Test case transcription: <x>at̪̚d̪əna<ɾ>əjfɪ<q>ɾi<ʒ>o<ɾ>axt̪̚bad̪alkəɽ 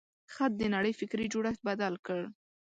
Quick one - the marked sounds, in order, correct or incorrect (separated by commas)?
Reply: correct, incorrect, incorrect, incorrect, incorrect